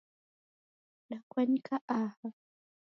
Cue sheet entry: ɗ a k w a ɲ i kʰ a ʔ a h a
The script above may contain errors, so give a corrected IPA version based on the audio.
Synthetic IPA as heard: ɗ a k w a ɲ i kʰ a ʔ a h a